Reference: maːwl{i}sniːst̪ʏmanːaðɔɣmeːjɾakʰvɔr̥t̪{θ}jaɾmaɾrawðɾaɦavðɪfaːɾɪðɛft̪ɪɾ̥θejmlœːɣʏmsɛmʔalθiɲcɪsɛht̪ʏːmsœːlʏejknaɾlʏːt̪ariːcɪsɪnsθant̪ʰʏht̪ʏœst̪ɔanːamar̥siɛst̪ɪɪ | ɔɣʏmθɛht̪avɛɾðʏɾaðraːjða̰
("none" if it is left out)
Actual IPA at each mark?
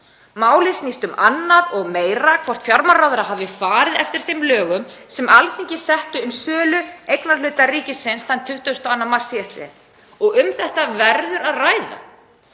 ɪ, f

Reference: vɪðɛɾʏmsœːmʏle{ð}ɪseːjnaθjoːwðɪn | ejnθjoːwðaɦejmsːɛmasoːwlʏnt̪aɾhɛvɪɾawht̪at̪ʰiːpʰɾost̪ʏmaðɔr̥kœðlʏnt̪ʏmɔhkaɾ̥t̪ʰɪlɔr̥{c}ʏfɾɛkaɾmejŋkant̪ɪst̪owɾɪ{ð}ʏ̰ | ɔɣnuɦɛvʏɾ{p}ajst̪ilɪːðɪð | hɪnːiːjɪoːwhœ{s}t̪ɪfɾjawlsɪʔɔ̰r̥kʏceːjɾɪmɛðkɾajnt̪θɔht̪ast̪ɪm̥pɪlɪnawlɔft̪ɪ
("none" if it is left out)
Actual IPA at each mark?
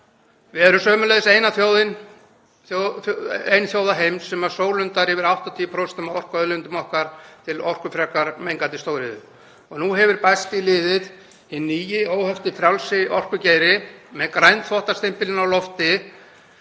ð, k, ð, p, f

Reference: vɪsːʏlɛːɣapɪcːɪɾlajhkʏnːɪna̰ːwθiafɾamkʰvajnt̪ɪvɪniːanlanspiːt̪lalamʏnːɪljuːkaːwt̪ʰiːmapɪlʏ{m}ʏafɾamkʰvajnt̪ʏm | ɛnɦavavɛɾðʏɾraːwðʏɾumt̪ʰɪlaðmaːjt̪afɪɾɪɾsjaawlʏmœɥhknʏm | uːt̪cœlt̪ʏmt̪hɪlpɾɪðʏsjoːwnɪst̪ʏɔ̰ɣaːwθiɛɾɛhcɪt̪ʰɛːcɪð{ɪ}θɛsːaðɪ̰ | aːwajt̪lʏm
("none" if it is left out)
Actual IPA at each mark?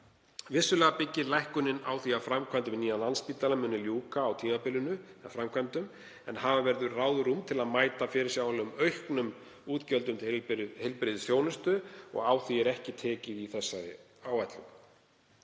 n, i

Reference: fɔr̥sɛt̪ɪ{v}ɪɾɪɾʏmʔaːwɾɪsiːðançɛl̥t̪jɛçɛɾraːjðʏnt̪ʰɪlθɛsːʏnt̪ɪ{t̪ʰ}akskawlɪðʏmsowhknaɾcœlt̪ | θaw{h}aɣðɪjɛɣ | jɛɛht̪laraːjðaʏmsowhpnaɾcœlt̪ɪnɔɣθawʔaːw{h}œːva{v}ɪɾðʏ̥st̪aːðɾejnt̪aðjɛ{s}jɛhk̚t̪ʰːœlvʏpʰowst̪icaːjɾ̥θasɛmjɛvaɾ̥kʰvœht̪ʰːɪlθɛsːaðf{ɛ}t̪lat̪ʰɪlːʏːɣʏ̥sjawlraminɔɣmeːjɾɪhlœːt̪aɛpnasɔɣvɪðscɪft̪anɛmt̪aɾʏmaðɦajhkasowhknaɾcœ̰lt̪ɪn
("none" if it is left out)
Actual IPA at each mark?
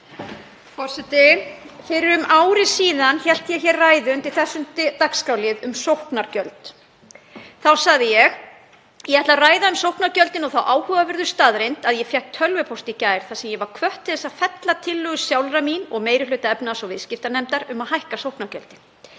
f, t̪, s, h, v, f, ɛ

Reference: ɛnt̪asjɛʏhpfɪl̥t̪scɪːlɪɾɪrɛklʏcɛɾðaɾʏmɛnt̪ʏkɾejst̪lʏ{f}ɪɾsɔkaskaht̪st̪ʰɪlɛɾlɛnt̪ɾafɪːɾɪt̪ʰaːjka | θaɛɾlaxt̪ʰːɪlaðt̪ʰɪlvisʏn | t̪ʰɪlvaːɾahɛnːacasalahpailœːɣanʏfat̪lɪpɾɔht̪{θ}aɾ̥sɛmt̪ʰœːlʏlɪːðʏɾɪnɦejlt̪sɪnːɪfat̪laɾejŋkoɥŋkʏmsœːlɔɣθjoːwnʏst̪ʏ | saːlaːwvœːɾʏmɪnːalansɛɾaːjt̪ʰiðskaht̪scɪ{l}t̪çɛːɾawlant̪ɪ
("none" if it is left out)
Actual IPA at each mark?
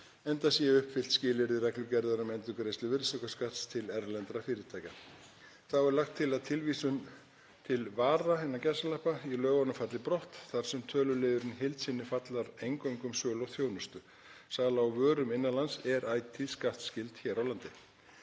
v, θ, l

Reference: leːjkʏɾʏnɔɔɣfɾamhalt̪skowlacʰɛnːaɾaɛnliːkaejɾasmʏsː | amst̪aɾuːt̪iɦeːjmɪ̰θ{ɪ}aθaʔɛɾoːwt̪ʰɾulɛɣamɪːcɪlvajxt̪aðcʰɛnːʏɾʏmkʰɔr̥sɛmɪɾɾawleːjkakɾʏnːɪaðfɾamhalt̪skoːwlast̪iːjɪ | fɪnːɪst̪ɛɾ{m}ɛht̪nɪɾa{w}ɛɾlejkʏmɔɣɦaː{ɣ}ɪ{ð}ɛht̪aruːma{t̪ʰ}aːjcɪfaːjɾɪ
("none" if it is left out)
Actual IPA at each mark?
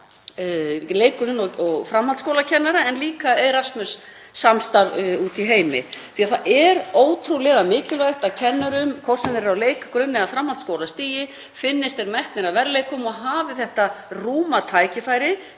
i, m, v, v, θ, t̪ʰ

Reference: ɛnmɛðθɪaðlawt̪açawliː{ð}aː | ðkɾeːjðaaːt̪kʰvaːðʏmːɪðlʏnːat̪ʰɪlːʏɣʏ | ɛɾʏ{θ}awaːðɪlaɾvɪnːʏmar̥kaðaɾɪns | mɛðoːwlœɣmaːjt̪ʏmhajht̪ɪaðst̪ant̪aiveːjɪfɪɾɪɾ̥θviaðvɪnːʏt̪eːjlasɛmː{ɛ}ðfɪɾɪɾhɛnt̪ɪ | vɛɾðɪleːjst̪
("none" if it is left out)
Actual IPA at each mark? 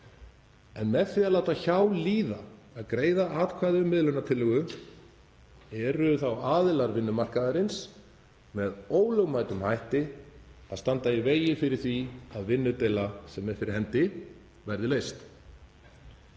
ð, θ, ɛ

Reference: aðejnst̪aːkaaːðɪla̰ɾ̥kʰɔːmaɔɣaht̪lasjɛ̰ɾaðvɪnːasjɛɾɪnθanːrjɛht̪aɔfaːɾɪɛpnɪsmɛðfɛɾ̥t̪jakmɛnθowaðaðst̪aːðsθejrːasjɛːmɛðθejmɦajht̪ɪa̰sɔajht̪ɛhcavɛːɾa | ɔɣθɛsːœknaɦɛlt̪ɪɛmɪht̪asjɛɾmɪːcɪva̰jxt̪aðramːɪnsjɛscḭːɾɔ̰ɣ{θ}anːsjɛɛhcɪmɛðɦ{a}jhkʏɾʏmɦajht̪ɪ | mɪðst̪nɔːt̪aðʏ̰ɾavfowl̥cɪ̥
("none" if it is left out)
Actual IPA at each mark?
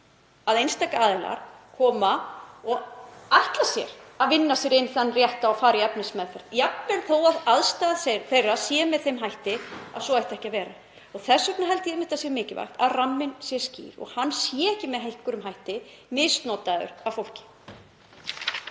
h, e

